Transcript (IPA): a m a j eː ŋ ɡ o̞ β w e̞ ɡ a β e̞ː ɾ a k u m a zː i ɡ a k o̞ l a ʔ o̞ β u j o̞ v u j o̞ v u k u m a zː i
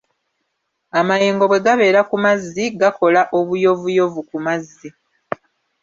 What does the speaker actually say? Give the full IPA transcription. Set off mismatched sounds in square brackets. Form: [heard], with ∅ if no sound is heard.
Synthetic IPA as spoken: a m a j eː ŋ ɡ o̞ β w e̞ ɡ a β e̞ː ɾ a k u m a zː i ɡ a k o̞ l a ʔ o̞ β u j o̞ v u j o̞ v u k u m a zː i